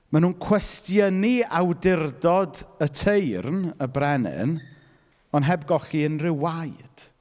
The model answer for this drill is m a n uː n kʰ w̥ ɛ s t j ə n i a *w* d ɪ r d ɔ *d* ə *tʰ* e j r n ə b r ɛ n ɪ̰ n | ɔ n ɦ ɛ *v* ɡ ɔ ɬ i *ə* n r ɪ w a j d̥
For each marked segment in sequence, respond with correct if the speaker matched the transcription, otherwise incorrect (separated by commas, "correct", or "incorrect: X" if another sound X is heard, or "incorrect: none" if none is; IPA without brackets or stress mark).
correct, correct, correct, incorrect: b, correct